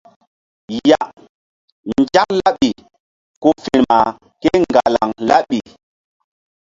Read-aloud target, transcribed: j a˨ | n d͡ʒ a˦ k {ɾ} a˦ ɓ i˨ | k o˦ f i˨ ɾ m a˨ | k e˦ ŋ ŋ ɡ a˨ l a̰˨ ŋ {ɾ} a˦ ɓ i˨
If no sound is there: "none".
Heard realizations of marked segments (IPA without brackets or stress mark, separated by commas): l, l